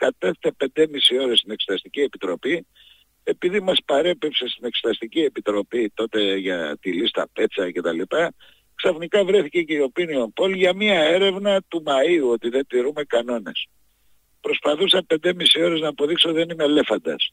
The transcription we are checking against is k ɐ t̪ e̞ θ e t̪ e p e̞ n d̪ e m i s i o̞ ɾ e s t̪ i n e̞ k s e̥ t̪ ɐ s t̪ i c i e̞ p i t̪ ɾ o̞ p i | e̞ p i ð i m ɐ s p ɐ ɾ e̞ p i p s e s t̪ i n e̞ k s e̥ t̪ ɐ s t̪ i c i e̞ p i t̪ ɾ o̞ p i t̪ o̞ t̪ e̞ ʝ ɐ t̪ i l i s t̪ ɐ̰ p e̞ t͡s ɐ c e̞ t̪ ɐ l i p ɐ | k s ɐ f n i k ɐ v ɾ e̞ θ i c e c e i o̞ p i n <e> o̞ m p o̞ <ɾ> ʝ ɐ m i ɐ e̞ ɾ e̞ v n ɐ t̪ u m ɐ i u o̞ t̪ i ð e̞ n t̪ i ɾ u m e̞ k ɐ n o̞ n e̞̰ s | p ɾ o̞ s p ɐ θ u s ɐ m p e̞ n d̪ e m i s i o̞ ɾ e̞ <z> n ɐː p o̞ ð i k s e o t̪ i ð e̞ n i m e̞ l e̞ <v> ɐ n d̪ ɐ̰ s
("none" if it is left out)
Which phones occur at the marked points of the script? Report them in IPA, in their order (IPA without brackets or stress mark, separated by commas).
i, l, z, f